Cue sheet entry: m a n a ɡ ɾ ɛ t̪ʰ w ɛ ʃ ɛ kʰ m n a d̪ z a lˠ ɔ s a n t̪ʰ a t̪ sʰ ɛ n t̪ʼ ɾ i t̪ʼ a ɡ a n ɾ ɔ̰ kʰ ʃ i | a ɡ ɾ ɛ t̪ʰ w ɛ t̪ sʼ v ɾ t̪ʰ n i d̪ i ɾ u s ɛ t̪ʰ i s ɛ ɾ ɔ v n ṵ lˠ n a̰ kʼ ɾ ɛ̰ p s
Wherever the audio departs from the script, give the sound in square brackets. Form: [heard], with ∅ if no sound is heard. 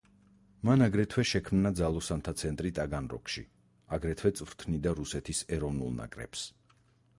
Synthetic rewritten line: m a n a ɡ ɾ ɛ t̪ʰ w ɛ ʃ ɛ kʰ m n a d̪ z a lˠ ɔ s a n t̪ʰ a t̪ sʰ ɛ n t̪ʼ ɾ i t̪ʼ a ɡ a n ɾ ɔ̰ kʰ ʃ i | a ɡ ɾ ɛ t̪ʰ w ɛ t̪ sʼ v ɾ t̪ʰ n i d̪ [a] ɾ u s ɛ t̪ʰ i s ɛ ɾ ɔ v n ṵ lˠ n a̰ kʼ ɾ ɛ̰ p s